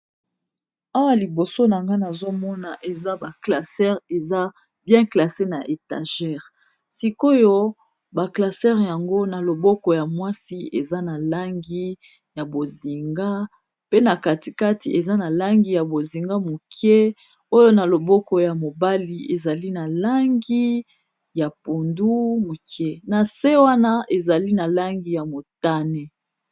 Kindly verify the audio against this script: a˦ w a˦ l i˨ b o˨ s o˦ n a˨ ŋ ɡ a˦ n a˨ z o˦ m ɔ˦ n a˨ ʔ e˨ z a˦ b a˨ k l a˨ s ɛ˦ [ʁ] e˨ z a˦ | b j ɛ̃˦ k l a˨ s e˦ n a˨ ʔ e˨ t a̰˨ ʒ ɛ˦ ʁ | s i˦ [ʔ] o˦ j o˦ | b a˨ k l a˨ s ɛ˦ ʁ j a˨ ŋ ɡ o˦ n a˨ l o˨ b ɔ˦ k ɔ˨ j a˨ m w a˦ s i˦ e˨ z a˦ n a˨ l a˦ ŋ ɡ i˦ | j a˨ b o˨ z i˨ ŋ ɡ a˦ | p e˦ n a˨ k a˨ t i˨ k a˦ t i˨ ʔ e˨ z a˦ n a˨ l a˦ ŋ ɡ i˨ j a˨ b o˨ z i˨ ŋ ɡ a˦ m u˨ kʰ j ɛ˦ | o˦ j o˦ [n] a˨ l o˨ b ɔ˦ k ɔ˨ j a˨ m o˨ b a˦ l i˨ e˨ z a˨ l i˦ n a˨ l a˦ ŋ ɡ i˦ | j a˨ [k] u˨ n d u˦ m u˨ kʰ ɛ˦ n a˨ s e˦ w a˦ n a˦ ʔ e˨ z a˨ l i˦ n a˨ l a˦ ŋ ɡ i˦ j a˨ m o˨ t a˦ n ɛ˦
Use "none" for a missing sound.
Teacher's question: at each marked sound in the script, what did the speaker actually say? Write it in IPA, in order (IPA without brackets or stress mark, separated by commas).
ʁ, k, n, p